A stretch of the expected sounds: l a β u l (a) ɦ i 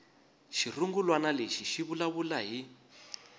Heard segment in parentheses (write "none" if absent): a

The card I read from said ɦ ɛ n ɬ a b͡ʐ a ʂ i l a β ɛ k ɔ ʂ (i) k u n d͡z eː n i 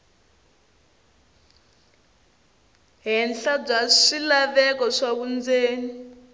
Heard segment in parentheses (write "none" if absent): a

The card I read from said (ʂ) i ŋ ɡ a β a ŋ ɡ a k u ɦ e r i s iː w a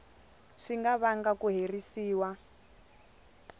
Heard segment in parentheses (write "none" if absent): ʂ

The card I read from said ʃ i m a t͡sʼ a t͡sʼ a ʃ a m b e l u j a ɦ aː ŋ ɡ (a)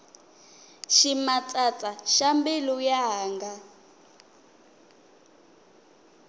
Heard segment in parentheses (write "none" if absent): a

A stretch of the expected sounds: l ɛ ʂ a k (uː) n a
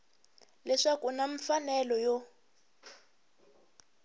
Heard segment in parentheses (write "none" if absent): u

